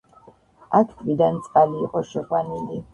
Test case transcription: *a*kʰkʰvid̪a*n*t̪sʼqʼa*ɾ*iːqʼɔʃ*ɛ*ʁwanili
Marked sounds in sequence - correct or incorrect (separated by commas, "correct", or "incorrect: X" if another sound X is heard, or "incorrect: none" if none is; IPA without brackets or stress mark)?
correct, correct, incorrect: l, correct